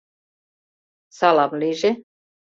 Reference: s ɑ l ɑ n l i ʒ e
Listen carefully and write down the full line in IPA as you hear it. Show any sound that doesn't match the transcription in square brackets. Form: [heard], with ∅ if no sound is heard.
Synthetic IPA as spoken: s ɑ l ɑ [m] l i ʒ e